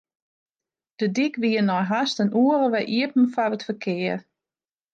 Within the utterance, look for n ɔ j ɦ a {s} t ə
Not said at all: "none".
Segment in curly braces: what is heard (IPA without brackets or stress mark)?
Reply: s